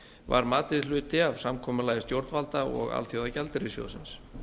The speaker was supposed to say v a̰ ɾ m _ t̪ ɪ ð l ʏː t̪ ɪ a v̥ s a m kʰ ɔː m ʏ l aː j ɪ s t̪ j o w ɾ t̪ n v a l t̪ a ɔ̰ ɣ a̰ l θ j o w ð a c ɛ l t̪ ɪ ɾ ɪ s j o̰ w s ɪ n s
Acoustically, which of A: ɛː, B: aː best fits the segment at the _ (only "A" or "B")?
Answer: B